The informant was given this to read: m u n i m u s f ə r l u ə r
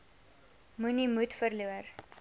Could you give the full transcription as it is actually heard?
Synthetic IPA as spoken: m u n i m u t f ə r l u ə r